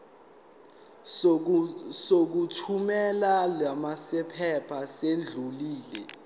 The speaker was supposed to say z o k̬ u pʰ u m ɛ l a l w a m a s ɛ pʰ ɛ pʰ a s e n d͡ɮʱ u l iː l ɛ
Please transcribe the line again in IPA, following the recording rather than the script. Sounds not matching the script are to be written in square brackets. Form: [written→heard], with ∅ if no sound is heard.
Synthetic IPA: [z→s] o k̬ u [pʰ→tʰ] u m ɛ l a l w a m a s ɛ pʰ ɛ pʰ a s e n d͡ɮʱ u l iː l ɛ